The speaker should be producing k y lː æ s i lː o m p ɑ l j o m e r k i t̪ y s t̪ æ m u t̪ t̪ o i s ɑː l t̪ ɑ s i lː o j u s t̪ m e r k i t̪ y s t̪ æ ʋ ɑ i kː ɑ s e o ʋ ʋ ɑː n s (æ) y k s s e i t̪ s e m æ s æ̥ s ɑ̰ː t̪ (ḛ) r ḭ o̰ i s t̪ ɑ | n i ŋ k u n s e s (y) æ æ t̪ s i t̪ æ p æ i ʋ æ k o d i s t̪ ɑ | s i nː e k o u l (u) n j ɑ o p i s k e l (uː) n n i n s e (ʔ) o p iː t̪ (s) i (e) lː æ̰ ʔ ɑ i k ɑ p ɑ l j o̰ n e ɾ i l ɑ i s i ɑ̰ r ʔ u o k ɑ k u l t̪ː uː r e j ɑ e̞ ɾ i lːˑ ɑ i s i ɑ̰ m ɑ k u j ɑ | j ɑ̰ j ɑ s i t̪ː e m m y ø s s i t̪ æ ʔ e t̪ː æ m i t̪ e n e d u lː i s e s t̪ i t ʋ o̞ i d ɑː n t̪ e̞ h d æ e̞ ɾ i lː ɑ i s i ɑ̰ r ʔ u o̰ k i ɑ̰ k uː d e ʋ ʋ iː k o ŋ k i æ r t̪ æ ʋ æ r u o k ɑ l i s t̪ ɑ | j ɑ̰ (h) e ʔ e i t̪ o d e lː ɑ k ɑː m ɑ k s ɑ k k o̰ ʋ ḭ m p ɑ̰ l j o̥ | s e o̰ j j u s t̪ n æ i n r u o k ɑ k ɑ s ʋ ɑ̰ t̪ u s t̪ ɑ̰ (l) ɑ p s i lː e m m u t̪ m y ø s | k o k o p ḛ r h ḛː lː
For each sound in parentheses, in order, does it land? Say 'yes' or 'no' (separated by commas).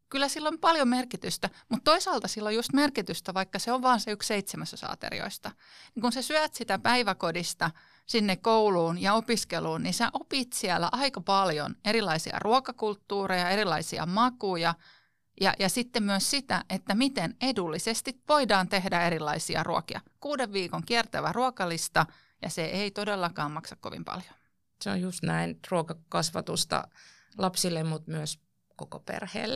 no, yes, yes, no, yes, yes, yes, no, no, yes